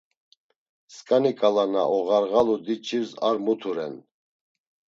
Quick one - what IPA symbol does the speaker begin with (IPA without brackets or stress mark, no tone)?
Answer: s